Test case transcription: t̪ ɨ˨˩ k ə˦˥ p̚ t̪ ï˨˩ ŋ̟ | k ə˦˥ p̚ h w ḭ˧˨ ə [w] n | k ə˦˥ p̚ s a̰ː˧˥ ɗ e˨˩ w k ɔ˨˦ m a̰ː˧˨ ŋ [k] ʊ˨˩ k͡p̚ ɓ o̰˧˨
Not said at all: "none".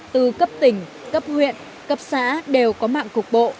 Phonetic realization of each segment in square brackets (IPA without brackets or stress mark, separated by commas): none, k